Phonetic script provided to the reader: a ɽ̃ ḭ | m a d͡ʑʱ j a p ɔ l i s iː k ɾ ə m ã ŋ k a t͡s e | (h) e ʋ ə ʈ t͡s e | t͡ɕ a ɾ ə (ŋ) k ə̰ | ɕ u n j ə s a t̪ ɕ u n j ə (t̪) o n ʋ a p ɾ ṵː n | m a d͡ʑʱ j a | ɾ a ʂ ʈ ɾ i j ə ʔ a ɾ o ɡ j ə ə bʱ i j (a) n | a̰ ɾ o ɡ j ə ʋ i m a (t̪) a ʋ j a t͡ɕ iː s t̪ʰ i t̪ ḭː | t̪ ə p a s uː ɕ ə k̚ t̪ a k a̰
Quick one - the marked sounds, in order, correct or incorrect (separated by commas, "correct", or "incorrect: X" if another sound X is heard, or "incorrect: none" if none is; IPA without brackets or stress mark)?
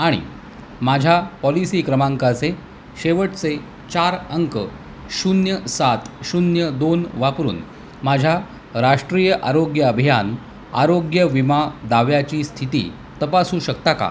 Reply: incorrect: ɕ, correct, incorrect: d̪, correct, incorrect: d̪